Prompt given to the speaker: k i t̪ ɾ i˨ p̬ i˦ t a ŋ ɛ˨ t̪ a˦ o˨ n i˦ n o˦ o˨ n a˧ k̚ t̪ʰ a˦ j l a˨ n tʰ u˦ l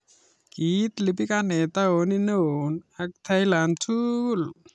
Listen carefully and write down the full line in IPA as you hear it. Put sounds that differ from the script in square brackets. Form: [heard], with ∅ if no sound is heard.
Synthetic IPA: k i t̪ [l] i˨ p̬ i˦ [k] a [n] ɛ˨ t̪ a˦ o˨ n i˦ n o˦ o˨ n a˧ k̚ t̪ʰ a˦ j l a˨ n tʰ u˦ l